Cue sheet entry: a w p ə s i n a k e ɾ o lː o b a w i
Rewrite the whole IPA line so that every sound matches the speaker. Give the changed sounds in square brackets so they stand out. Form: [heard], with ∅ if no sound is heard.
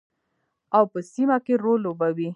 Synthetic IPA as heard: a w p ə s i [m] a k e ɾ o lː o b a w i